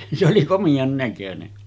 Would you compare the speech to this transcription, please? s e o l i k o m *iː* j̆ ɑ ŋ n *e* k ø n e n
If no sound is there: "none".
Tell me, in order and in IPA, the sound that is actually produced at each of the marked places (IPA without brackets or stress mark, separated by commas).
i, æ